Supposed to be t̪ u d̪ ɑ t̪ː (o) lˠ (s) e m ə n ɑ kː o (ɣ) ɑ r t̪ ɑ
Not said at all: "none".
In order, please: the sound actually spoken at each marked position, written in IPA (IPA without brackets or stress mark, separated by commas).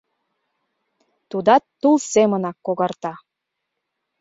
u, s, ɣ